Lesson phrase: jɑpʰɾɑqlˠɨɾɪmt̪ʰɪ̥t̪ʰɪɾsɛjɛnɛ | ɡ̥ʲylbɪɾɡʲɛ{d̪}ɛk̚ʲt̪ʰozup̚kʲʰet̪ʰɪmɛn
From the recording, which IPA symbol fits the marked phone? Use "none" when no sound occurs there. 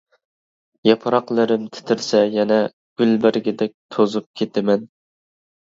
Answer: d̪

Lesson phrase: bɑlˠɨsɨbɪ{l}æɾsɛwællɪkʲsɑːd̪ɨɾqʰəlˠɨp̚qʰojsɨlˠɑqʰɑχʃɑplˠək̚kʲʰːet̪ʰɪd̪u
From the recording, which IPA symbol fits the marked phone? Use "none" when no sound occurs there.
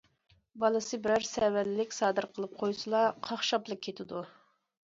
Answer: ɾ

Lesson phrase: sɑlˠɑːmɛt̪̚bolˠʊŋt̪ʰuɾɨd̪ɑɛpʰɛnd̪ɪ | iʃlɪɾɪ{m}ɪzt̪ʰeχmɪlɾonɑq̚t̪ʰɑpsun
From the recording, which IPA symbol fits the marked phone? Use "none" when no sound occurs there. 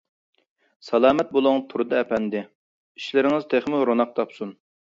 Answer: ŋ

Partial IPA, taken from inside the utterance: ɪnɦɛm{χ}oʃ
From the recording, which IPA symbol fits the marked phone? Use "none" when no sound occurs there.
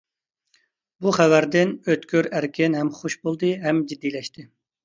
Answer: χ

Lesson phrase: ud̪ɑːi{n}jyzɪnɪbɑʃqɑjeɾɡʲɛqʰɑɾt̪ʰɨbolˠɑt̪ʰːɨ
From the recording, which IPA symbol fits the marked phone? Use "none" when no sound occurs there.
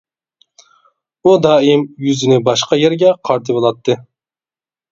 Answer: m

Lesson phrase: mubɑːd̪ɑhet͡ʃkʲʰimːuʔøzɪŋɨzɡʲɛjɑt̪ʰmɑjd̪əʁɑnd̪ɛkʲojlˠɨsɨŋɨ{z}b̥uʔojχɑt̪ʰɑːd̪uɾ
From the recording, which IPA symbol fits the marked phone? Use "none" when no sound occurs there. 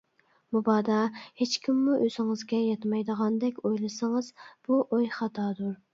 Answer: z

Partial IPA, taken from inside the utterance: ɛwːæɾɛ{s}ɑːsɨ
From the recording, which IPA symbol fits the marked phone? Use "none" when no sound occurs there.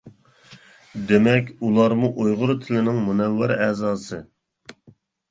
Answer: z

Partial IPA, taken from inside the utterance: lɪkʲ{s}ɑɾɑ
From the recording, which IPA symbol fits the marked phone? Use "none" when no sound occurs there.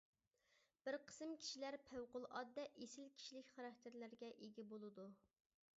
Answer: χ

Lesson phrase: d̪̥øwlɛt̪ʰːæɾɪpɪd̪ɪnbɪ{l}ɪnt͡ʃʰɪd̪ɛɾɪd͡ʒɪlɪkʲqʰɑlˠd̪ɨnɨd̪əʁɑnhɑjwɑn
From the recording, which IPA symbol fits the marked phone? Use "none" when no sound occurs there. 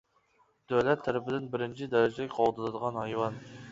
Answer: ɾ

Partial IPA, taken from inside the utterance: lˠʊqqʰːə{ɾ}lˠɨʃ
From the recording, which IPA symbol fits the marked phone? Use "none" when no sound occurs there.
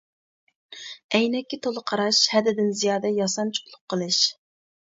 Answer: none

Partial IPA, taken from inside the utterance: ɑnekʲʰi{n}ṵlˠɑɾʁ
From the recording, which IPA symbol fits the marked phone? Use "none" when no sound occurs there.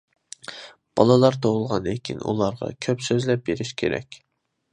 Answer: n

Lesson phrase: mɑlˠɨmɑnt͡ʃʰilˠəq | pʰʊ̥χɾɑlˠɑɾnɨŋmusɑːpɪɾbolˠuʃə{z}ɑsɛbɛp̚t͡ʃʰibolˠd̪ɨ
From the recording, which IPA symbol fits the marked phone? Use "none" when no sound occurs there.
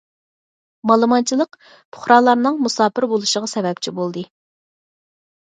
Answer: ʁ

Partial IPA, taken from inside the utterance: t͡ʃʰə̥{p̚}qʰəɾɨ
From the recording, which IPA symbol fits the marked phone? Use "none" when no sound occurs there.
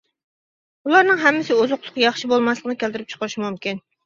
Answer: none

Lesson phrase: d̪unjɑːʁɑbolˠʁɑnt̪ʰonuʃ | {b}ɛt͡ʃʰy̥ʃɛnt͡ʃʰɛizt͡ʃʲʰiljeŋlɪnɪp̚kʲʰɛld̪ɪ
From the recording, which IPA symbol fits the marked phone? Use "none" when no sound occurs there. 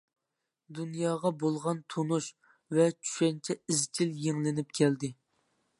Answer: v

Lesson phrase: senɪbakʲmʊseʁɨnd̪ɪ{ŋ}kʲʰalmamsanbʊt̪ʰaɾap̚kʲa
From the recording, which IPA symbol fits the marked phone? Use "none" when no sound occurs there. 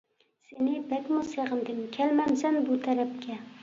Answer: m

